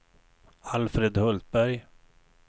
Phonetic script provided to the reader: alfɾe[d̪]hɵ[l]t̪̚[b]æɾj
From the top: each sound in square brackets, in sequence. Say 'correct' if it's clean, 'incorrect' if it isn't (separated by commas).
correct, correct, correct